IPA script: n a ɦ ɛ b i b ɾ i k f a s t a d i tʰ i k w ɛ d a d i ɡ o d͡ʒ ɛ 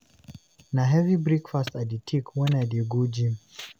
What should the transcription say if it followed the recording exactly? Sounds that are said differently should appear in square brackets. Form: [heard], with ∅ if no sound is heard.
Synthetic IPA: n a ɦ ɛ [v] i b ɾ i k f a s t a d i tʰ i k w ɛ [n] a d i ɡ [u] d͡ʒ [i]